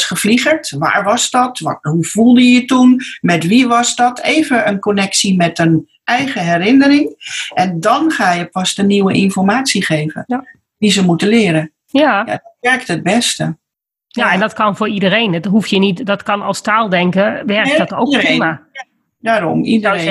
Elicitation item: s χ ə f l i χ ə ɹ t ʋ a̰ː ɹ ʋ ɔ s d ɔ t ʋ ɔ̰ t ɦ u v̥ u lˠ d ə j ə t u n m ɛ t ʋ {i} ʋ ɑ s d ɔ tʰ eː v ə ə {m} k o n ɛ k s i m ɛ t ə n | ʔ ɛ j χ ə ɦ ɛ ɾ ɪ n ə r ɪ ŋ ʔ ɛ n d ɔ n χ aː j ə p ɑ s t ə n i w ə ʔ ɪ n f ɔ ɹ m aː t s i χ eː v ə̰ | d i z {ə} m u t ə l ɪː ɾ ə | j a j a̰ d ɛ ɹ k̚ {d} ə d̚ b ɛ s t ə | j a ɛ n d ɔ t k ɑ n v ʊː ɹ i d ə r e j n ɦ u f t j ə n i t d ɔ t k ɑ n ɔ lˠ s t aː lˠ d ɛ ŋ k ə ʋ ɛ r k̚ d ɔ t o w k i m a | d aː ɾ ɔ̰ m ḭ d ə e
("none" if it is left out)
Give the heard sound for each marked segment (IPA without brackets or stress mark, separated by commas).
i, n, ə, t